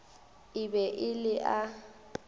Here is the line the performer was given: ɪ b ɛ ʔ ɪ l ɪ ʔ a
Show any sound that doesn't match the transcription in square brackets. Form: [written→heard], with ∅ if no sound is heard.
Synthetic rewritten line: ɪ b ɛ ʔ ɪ l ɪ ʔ a

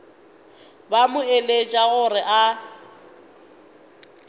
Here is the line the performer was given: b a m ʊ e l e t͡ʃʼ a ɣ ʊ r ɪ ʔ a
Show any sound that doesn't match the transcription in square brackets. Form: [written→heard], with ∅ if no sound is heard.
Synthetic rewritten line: b a m ʊ e l e t͡ʃʼ a ɣ ʊ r ɪ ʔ a

